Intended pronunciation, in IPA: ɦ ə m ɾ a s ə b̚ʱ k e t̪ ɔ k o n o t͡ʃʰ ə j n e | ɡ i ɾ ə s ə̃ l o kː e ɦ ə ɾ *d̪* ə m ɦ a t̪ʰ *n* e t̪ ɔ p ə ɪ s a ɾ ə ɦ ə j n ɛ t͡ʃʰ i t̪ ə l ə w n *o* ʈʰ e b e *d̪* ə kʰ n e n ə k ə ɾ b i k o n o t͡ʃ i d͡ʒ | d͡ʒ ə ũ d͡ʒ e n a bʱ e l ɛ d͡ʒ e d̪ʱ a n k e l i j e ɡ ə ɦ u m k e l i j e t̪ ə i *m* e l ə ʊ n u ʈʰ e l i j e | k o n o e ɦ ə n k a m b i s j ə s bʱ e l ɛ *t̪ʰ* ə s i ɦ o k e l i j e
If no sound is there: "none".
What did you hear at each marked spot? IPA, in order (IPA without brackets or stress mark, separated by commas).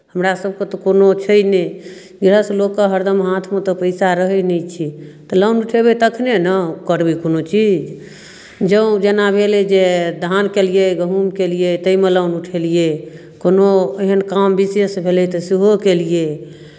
d̪, m, u, t̪, m, t̪